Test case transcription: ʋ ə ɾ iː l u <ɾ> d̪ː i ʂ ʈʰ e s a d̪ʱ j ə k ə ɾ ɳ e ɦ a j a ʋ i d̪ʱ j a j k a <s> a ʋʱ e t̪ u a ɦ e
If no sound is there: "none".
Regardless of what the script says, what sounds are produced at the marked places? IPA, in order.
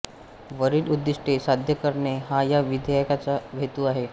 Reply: none, t͡s

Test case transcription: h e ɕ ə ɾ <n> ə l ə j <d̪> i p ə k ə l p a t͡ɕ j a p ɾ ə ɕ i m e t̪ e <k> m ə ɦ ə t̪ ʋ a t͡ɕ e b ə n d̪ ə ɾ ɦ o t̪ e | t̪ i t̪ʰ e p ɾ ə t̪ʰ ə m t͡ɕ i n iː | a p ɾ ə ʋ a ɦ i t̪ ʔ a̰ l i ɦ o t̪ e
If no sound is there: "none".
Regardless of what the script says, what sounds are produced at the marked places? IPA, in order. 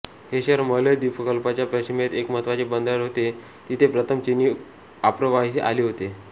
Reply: m, d̪, k

